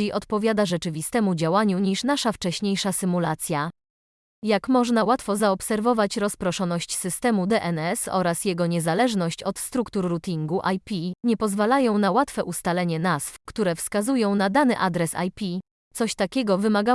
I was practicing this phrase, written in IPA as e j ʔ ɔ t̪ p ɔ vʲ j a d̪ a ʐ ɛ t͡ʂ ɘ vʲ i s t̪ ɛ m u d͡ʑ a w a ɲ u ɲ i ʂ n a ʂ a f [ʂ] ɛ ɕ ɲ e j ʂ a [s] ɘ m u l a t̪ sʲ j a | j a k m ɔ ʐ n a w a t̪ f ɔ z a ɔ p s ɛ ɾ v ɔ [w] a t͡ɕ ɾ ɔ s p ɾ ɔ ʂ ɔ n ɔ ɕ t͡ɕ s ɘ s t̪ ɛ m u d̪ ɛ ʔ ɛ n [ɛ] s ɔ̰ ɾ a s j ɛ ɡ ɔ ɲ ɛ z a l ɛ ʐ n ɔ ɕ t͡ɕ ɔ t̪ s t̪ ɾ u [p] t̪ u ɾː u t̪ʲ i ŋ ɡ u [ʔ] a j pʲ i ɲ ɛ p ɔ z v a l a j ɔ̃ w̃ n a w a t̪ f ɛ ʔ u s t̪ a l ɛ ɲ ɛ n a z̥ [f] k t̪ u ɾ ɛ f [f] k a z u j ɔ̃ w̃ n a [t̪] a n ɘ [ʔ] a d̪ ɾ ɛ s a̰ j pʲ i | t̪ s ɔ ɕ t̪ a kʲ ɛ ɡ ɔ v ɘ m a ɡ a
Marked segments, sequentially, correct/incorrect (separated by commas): incorrect, correct, incorrect, correct, incorrect, correct, correct, incorrect, incorrect, correct